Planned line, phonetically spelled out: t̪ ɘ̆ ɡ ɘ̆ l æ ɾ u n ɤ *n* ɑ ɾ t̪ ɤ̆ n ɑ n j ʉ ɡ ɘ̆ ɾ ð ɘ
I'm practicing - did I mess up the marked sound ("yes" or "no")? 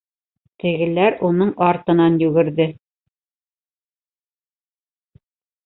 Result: yes